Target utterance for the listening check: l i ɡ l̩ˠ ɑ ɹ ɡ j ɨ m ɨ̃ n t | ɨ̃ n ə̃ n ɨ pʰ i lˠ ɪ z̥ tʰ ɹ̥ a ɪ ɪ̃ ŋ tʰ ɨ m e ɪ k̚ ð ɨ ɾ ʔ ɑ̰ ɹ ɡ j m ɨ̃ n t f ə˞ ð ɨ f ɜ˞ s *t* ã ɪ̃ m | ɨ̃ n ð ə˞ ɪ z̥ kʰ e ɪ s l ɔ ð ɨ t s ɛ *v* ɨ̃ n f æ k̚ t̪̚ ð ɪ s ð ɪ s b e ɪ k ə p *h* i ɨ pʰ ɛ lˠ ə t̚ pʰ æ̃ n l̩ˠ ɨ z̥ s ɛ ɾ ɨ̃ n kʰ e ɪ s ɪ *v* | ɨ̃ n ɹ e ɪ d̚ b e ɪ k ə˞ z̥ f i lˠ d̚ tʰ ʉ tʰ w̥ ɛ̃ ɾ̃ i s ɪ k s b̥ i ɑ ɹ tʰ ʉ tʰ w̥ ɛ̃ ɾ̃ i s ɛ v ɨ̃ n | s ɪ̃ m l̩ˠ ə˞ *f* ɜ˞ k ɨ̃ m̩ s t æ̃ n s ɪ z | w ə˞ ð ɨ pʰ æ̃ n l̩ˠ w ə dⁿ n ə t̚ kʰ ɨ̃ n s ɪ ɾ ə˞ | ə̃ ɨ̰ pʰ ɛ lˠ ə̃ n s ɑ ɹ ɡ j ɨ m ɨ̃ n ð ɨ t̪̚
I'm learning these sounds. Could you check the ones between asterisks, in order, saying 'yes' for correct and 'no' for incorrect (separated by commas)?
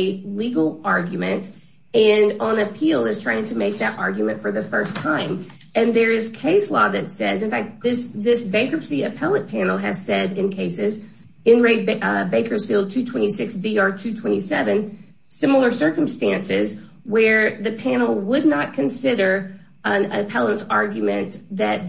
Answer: no, no, no, no, no